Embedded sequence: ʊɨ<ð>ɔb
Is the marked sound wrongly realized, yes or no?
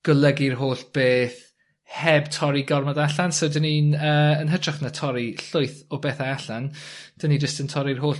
yes